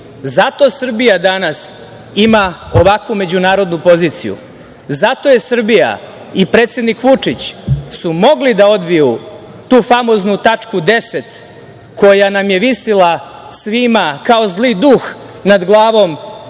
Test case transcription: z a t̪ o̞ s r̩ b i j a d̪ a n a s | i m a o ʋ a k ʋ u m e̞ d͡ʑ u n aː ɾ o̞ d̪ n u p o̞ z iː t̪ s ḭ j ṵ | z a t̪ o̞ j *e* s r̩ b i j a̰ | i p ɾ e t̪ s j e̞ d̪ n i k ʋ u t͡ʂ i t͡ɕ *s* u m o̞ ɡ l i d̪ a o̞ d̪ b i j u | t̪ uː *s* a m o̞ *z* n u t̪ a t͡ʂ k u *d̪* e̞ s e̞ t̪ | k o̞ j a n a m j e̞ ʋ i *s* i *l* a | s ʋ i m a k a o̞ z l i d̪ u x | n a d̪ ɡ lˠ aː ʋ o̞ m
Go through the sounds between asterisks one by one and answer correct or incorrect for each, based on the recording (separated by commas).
correct, correct, incorrect, correct, correct, correct, correct